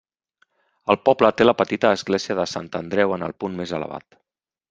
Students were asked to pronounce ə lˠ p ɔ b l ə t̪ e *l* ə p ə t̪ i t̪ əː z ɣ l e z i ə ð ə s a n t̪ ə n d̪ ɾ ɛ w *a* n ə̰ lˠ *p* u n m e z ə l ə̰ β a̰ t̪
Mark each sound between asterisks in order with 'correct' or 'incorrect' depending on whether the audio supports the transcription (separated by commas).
correct, incorrect, correct